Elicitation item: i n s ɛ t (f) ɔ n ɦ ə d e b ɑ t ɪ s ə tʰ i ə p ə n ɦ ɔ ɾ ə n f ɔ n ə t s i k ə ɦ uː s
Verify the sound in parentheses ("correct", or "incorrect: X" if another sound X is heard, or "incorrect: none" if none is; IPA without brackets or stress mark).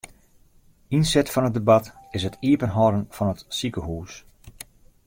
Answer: correct